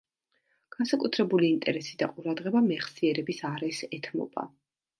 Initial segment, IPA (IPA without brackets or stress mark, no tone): ɡ̥